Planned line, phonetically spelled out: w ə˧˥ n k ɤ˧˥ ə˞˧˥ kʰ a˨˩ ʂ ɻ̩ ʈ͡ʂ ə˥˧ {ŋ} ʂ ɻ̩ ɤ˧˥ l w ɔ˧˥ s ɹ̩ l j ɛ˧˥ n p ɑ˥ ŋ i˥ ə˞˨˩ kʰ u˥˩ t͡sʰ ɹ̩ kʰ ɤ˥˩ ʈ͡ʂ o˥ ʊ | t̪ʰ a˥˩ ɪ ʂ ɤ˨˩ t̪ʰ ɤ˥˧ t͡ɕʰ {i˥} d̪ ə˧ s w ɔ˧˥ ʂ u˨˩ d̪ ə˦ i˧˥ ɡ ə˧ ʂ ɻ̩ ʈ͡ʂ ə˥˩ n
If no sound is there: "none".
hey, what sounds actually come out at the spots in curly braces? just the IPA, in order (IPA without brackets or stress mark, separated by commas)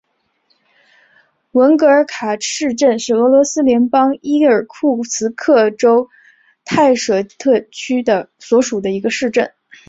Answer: n, y˥